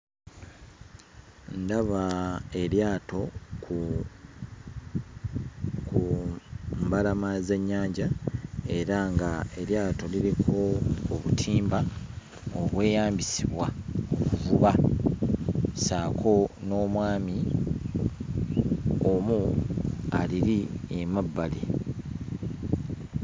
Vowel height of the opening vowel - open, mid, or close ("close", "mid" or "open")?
open